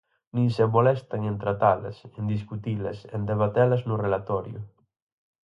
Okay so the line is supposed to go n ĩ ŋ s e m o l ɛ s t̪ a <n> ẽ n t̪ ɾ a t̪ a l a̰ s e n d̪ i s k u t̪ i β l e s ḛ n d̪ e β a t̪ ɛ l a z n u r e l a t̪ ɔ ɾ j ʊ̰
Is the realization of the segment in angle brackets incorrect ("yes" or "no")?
yes